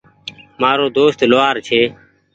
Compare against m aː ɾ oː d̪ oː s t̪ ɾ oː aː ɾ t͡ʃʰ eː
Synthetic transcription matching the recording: m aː ɾ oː d̪ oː s t̪ l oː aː ɾ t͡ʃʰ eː